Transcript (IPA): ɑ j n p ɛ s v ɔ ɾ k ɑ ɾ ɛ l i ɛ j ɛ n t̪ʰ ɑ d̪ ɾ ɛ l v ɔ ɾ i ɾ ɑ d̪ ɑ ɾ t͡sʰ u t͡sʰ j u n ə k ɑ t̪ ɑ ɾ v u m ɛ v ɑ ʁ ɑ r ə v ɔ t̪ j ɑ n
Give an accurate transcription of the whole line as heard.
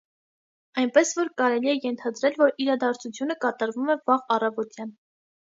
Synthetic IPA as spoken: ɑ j n p ɛ s v ɔ ɾ k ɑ ɾ ɛ l i ɛ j ɛ n t̪ʰ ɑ d̪ ɾ ɛ l v ɔ ɾ i ɾ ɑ d̪ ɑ ɾ t͡sʰ u t͡sʰ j u n ə k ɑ t̪ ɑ ɾ v u m ɛ v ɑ ʁ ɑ r ɑ v ɔ t̪ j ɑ n